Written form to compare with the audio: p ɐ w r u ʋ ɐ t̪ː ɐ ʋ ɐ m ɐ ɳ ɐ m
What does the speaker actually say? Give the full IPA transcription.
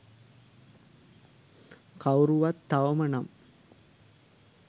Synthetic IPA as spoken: k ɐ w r u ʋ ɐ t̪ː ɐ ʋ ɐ m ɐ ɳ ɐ m